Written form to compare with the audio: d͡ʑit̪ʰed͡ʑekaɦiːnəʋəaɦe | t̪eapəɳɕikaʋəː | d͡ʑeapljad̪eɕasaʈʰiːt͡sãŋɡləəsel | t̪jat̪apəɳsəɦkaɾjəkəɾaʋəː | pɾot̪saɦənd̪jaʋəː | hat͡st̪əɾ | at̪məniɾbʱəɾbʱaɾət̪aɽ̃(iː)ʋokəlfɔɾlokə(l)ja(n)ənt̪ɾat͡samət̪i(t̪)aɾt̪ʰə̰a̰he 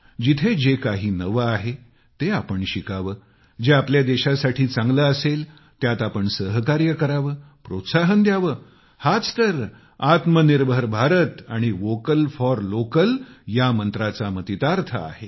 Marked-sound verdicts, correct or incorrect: incorrect, correct, incorrect, correct

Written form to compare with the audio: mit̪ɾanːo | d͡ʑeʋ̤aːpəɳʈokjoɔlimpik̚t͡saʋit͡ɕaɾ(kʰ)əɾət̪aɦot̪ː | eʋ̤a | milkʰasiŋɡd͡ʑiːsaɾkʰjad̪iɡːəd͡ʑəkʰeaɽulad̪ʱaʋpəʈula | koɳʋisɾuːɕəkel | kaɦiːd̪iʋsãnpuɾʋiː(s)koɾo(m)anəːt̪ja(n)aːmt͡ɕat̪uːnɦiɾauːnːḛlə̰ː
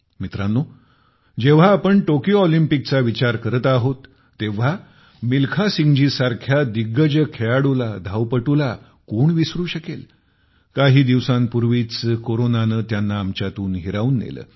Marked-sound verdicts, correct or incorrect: incorrect, incorrect, incorrect, incorrect

